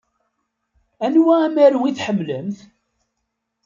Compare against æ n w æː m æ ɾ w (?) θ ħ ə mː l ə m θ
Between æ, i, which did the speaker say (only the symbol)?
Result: i